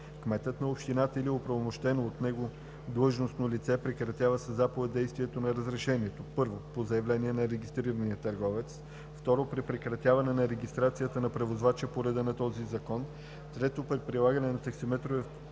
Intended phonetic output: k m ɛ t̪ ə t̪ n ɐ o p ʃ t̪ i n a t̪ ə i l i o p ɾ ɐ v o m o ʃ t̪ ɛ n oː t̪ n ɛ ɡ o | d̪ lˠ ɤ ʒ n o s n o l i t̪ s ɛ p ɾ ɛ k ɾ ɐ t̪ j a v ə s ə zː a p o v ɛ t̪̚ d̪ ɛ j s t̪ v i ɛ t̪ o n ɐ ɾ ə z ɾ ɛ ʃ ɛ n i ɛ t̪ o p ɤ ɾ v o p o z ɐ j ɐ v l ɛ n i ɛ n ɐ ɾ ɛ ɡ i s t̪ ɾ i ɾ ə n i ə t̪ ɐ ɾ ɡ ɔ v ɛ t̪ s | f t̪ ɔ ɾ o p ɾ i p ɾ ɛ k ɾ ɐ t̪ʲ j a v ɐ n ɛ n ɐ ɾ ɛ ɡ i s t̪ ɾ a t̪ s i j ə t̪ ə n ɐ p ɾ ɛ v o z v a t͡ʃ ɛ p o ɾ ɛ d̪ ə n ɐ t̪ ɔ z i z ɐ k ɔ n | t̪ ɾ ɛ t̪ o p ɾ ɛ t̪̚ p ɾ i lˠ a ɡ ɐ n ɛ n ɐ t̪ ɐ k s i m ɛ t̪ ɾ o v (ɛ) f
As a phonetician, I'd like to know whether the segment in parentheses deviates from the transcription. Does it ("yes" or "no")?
no